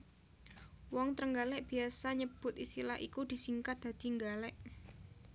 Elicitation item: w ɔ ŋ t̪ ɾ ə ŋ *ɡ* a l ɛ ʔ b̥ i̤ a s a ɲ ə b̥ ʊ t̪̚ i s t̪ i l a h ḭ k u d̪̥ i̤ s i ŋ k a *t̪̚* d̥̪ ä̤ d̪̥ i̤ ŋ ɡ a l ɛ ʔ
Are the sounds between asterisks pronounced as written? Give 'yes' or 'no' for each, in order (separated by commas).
yes, yes